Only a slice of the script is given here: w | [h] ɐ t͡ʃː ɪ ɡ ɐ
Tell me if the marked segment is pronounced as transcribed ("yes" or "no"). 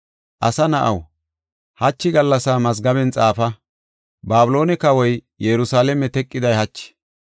yes